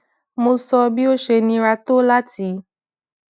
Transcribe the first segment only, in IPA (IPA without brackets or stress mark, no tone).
m